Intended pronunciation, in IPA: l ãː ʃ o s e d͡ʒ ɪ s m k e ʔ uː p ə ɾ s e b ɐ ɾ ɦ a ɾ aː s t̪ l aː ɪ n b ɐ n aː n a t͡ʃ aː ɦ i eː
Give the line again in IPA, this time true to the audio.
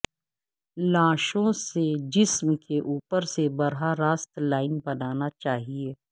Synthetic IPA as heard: l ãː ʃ õ s e d͡ʒ ɪ s m k e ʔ uː p ə ɾ s e b ɐ ɾ ɦ a ɾ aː s t̪ l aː ɪ n b ɐ n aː n a t͡ʃ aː ɦ i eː